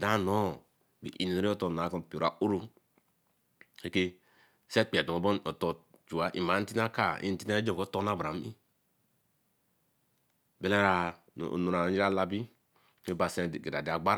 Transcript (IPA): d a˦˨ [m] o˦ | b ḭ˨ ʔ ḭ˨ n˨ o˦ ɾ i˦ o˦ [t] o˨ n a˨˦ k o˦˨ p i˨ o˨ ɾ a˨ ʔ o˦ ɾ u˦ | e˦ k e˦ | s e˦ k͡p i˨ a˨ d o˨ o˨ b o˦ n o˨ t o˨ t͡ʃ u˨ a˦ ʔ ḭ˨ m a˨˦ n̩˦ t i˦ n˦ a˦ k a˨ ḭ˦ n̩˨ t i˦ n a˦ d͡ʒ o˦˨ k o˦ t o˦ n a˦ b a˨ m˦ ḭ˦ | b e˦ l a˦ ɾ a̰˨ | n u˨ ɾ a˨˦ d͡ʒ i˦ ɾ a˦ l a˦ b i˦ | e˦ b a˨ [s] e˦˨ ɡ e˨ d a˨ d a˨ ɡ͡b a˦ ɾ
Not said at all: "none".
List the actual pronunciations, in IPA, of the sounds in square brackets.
n, t, s

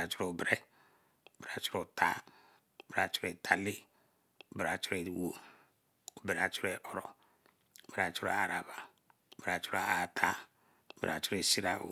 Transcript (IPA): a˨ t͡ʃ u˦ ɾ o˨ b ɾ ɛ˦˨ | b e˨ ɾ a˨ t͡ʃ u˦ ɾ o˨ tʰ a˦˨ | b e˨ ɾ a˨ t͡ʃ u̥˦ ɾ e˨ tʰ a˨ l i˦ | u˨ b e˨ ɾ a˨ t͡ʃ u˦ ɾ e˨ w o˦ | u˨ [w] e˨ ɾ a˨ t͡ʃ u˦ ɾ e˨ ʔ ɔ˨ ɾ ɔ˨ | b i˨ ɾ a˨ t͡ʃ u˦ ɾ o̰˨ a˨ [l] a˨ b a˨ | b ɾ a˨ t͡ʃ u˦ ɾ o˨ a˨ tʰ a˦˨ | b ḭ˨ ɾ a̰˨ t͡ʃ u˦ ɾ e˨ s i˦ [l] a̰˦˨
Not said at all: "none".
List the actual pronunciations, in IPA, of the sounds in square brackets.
b, ɾ, ɾ

